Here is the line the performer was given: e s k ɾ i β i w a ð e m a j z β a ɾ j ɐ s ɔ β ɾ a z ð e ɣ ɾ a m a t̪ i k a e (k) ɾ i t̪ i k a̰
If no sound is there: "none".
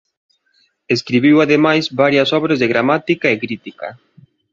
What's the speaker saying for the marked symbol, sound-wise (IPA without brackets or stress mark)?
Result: k